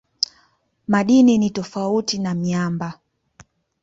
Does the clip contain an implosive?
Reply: yes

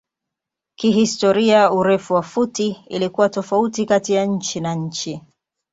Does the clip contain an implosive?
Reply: no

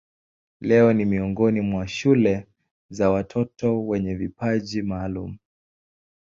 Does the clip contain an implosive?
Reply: yes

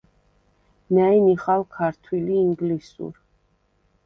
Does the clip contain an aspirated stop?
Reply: yes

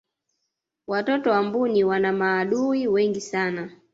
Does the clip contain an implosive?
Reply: yes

